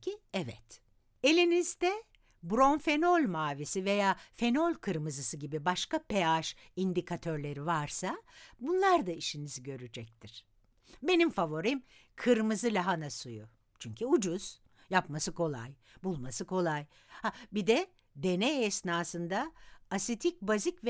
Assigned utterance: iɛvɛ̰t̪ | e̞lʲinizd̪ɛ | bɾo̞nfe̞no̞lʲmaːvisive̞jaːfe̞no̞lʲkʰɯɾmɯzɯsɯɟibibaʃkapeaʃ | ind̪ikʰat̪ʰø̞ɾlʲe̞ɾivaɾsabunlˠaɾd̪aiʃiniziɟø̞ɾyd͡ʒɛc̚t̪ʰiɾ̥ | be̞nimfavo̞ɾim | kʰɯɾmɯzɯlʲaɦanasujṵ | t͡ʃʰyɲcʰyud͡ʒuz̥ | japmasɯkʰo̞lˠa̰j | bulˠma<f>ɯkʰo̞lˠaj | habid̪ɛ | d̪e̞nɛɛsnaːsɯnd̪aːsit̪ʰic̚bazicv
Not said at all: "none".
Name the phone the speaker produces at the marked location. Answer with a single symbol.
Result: s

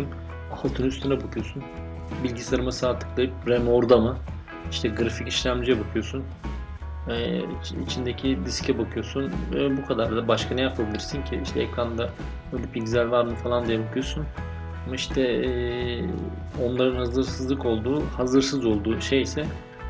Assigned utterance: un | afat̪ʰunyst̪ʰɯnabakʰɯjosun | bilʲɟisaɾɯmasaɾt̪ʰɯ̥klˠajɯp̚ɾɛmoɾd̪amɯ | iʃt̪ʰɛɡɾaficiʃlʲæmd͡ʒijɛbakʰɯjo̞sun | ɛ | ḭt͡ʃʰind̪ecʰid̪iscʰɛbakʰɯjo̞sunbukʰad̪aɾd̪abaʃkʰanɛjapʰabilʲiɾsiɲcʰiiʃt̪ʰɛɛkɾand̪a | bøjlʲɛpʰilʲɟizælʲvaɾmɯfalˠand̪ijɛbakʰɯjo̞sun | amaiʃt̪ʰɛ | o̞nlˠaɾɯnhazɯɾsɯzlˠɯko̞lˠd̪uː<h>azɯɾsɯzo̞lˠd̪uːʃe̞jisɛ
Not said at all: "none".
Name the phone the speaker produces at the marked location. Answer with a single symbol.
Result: h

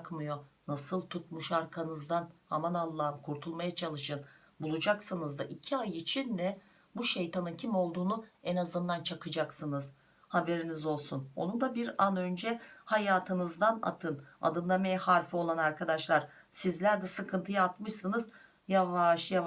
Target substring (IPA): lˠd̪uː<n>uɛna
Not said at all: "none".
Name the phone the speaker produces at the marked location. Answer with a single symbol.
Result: n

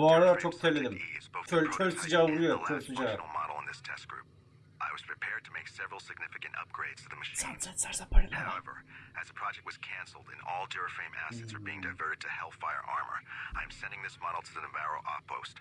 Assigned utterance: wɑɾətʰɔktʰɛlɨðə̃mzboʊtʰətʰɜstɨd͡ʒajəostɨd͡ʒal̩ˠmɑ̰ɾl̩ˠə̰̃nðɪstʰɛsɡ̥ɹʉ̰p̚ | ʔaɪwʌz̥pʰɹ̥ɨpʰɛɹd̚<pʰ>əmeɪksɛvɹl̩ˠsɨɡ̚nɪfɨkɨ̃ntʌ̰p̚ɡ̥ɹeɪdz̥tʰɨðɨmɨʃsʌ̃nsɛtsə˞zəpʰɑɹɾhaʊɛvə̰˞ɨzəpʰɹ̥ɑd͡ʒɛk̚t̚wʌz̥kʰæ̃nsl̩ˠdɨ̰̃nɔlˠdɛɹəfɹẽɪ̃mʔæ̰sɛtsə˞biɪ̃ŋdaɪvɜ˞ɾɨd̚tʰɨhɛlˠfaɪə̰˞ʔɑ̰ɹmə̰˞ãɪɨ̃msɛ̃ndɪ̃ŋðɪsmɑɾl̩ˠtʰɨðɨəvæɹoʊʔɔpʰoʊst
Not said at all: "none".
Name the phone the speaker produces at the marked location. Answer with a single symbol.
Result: tʰ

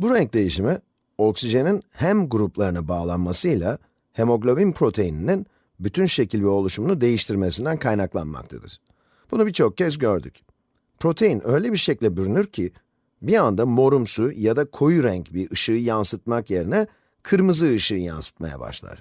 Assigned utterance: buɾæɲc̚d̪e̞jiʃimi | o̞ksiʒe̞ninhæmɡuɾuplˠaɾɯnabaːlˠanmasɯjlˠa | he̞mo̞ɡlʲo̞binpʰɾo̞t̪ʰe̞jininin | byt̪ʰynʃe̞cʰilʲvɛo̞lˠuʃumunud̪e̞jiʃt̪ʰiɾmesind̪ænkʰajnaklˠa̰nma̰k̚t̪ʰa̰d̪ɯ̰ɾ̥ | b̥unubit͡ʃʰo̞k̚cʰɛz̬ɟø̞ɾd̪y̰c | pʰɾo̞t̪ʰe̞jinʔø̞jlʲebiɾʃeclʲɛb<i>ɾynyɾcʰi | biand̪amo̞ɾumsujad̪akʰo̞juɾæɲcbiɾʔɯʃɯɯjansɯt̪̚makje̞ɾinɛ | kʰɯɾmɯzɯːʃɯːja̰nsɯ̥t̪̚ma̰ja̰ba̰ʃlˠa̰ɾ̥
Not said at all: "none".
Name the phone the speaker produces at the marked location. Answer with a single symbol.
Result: y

